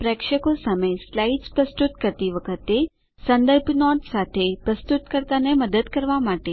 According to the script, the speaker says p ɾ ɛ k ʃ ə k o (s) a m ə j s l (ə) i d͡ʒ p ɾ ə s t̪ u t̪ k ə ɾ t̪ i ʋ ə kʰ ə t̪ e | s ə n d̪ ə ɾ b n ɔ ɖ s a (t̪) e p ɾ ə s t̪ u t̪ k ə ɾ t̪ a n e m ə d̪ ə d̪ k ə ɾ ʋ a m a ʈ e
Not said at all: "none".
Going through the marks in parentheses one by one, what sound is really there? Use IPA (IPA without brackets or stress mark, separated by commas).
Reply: s, a, t̪ʰ